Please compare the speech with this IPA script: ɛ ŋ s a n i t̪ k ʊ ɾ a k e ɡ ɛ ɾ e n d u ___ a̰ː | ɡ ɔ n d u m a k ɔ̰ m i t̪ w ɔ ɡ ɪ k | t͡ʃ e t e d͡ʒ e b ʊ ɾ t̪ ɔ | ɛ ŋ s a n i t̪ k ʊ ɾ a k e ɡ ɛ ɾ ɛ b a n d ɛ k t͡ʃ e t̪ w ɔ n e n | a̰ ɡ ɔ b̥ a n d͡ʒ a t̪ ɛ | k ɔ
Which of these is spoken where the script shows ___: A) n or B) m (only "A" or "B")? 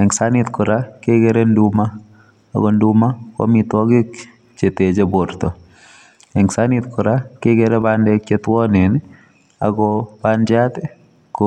B